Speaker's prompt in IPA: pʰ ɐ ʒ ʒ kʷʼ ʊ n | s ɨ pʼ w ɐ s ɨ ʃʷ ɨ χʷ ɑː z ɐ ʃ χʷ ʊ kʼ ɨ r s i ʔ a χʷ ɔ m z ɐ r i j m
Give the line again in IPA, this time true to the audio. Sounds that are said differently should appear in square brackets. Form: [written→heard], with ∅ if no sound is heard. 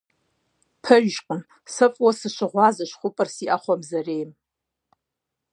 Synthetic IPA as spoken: pʰ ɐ ʒ ʒ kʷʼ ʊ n | s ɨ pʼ w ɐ s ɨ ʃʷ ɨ [χʷ→ʁʷ] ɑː z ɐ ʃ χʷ ʊ [kʼ→pʼ] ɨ r s i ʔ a χʷ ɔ m z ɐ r [i→e] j m

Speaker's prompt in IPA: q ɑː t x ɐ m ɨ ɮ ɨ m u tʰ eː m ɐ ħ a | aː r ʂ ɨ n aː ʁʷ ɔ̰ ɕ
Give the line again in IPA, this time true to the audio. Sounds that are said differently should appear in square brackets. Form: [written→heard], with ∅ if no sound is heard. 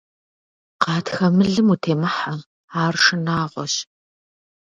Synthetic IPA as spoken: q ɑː t x ɐ m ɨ ɮ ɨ m u tʰ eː m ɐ ħ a | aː r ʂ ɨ n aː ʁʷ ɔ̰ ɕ

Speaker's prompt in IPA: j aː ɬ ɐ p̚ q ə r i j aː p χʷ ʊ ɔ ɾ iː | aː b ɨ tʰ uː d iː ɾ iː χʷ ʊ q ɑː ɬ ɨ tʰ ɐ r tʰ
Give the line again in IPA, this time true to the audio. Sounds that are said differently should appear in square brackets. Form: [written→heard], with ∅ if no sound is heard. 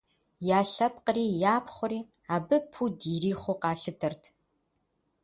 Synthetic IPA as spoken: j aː ɬ ɐ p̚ q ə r [i→iː] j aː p χʷ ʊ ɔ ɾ iː | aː b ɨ [tʰ→pʰ] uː d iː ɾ iː χʷ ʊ q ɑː ɬ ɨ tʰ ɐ r tʰ

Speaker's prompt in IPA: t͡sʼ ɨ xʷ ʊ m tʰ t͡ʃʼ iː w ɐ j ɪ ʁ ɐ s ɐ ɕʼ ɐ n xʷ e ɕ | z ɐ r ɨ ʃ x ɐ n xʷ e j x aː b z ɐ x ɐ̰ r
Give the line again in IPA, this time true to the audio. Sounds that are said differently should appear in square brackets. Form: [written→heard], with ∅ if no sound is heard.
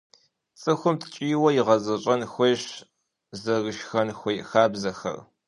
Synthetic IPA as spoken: t͡sʼ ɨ xʷ ʊ m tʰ t͡ʃʼ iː w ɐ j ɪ ʁ ɐ [s→z] ɐ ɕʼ ɐ n xʷ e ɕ | z ɐ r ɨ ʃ x ɐ n xʷ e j x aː b z ɐ x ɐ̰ r

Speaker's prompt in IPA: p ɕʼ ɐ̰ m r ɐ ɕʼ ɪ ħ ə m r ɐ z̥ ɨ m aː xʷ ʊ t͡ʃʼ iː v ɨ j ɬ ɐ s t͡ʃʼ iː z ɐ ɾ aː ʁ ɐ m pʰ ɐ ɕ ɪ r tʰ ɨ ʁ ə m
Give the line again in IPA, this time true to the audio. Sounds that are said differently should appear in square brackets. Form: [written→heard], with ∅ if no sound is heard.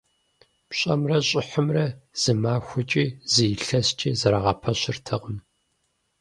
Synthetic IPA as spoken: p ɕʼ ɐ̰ m r ɐ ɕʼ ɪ ħ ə m r ɐ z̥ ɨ m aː xʷ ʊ t͡ʃʼ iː [v→z] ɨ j ɬ ɐ s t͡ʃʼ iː z ɐ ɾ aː ʁ ɐ [m→∅] pʰ ɐ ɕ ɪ r tʰ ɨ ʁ ə m

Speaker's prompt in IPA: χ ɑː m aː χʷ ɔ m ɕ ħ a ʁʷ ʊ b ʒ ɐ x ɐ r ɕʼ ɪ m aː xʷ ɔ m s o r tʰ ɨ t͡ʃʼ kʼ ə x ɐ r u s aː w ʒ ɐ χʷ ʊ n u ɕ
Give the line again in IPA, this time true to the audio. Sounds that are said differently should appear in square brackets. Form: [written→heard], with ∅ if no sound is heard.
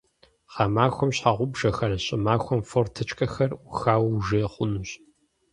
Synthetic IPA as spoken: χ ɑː m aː [χʷ→xʷ] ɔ m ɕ ħ a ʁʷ ʊ b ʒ ɐ x ɐ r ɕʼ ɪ m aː xʷ ɔ m [s→f] o r tʰ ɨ t͡ʃʼ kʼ [ə→ɐ] x ɐ r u [s→x] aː w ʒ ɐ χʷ ʊ n u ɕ

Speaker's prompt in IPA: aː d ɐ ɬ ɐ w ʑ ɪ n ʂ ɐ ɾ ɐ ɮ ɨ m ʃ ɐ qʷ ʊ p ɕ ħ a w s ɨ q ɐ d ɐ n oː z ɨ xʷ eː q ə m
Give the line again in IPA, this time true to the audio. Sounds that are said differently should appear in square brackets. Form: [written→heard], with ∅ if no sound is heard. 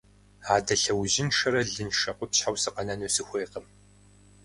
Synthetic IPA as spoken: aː d ɐ ɬ ɐ w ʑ ɪ n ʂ ɐ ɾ ɐ ɮ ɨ [m→n] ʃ ɐ qʷ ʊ p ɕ ħ a w s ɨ q ɐ [d→n] ɐ n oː [z→s] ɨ xʷ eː q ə m

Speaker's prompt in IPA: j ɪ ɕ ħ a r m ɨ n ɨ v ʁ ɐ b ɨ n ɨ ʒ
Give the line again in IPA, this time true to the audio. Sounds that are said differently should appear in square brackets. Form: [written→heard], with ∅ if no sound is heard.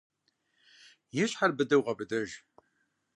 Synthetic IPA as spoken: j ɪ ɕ ħ a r [m→b] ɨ [n→d] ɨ [v→w] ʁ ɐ b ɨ [n→d] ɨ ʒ

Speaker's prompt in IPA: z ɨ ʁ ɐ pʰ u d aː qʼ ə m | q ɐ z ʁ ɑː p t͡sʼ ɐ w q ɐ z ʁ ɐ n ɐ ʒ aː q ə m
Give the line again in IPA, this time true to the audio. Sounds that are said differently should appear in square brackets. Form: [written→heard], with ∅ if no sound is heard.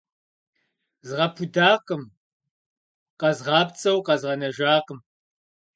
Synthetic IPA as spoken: z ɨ ʁ ɐ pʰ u d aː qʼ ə m | q ɐ z ʁ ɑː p t͡sʼ ɐ w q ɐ z ʁ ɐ n ɐ ʒ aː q ə m

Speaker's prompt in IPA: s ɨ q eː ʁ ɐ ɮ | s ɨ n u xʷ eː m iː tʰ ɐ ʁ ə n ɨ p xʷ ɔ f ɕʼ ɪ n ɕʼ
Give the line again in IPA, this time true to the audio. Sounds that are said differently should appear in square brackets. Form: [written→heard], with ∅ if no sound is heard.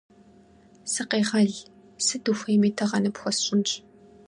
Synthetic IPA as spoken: s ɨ q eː ʁ ɐ ɮ | s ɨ [n→d] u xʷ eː m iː tʰ ɐ ʁ [ə→ɐ] n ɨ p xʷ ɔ [f→s] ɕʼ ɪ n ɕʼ

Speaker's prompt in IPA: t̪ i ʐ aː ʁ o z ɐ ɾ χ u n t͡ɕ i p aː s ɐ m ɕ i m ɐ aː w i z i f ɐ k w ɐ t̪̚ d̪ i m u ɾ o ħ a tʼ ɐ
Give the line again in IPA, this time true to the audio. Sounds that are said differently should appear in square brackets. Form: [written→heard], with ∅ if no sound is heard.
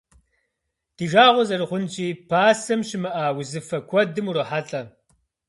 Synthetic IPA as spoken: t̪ i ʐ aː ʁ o z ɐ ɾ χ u n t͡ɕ i p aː s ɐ m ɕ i m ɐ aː w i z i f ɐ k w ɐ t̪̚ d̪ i m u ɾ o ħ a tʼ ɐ

